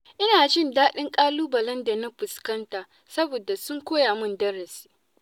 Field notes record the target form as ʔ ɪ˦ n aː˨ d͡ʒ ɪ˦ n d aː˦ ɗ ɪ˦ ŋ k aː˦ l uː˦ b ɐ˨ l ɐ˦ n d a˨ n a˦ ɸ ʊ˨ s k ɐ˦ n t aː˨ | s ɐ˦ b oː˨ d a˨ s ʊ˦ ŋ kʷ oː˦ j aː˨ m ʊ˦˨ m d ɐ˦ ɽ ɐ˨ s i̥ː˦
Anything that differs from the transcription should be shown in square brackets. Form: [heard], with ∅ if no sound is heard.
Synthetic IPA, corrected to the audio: ʔ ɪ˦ n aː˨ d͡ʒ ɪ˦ n d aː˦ ɗ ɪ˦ ŋ [kʼ] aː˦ l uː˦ b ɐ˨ l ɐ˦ n d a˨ n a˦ ɸ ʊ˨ s k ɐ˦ n t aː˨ | s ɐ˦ b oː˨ d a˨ s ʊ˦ ŋ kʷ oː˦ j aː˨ m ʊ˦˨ [n] d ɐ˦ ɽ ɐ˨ s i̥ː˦